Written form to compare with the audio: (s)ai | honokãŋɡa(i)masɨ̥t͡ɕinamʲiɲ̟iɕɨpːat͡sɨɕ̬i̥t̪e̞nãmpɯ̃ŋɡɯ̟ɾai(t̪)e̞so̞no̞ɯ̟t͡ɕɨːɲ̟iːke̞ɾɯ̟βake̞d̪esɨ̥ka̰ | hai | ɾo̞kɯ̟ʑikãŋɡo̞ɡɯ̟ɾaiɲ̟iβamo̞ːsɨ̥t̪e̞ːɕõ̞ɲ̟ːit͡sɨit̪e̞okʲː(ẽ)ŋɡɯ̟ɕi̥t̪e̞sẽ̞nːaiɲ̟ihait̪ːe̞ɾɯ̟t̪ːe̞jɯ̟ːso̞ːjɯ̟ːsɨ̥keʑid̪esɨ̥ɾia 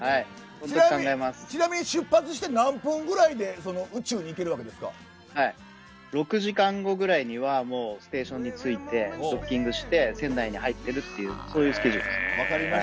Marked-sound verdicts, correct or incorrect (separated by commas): incorrect, incorrect, incorrect, incorrect